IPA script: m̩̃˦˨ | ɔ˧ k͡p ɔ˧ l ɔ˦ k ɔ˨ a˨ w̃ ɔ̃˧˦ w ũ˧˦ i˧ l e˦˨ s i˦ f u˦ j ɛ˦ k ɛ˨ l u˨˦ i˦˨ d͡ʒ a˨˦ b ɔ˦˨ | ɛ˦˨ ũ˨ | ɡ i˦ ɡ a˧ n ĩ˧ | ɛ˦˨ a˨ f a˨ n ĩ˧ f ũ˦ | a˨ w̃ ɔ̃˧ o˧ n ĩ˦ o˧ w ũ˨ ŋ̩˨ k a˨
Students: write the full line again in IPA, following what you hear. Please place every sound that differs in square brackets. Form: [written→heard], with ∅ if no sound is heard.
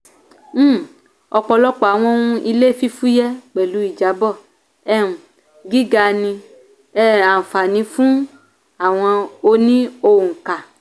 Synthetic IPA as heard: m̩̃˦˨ | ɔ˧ k͡p ɔ˧ l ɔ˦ [k→k͡p] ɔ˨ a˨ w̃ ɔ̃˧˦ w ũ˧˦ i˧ l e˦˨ [s→f] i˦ f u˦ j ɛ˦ [k→k͡p] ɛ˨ l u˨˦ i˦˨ d͡ʒ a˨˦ b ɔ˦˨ | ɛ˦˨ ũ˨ | ɡ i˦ ɡ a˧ n ĩ˧ | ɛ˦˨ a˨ f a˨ n ĩ˧ f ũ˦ | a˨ w̃ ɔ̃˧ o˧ n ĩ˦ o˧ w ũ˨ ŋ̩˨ k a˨